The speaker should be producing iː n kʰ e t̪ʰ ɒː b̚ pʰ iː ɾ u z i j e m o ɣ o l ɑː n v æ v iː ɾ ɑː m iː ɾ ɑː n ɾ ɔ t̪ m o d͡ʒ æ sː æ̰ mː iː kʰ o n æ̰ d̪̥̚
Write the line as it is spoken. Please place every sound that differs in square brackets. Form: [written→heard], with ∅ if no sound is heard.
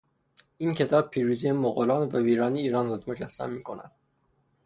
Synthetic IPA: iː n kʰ e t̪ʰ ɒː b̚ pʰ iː ɾ u z i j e m o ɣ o l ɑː n v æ v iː ɾ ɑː [m→n] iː ɾ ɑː n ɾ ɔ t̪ m o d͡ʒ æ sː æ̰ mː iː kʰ o n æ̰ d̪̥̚